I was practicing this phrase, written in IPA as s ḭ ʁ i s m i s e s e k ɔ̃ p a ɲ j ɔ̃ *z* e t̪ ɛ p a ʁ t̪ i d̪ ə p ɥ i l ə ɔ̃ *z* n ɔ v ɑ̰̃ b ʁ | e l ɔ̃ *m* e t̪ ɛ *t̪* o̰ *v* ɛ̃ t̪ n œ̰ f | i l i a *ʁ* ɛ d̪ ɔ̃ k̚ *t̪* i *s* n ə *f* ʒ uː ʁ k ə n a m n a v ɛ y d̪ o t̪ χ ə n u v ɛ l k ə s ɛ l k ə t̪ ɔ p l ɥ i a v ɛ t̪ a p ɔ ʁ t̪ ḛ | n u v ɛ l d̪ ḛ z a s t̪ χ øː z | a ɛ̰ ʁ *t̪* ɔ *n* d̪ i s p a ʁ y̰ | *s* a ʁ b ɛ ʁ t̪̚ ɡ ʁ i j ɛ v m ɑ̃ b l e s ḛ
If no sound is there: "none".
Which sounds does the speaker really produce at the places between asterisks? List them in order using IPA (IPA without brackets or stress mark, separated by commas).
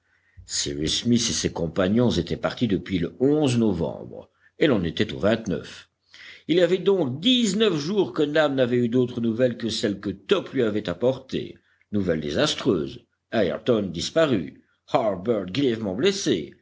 z, z, n, t̪, v, v, d̪, z, f, t̪, n, h